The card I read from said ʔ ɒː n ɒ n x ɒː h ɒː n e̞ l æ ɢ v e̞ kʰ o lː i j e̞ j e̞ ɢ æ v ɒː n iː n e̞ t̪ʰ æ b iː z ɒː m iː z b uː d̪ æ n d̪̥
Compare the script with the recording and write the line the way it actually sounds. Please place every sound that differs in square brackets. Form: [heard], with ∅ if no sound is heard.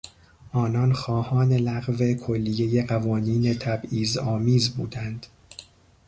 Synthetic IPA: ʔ ɒː n ɒ n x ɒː h ɒː n e̞ l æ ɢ v e̞ kʰ o lː i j e̞ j e̞ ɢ æ v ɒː n iː n e̞ t̪ʰ æ b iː z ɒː m iː z b uː d̪ æ n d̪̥